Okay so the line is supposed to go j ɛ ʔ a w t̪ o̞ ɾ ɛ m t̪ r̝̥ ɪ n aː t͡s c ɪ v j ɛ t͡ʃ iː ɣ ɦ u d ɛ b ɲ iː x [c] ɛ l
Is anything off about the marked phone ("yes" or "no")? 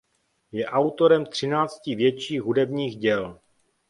yes